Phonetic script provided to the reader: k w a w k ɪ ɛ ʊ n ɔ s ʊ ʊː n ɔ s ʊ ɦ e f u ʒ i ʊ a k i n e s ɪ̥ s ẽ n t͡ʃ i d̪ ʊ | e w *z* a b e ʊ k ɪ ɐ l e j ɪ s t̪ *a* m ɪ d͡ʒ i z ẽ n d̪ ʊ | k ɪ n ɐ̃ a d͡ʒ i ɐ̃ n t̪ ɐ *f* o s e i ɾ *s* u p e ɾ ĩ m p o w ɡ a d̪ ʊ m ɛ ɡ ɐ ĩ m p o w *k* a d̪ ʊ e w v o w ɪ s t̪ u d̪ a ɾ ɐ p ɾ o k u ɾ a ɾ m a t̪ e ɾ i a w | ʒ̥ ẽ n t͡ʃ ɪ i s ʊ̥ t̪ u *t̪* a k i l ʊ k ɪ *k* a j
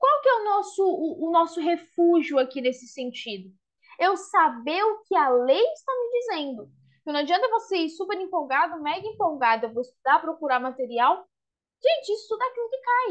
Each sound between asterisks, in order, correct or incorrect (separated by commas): incorrect, correct, incorrect, correct, incorrect, incorrect, correct